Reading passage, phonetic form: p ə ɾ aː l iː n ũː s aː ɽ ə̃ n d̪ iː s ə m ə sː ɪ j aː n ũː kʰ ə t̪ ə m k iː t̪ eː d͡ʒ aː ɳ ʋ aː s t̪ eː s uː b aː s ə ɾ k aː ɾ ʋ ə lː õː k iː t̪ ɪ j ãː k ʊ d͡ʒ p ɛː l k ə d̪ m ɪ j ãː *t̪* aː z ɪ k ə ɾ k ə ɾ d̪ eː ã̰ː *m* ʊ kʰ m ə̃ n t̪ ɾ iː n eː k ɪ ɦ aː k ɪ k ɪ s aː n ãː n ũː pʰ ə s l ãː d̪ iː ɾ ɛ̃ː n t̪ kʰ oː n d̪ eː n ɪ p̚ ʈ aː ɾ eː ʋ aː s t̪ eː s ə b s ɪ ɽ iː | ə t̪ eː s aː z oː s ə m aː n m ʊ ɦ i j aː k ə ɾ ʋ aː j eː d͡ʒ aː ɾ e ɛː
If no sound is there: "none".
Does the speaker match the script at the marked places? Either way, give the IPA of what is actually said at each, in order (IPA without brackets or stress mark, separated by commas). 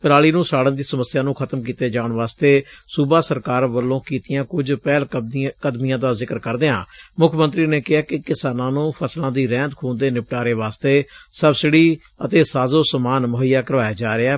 d̪, m